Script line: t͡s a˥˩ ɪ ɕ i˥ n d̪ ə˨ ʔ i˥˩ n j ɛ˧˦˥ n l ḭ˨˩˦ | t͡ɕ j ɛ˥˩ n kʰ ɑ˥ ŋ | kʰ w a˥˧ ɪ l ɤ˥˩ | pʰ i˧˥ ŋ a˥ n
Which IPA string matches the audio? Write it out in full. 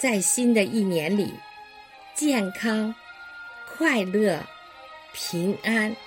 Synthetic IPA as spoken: t͡s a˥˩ ɪ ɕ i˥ n d̪ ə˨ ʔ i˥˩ n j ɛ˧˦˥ n l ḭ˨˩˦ | t͡ɕ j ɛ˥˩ n kʰ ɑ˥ ŋ | kʰ w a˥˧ ɪ l ɤ˥˩ | pʰ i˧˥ ŋ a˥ n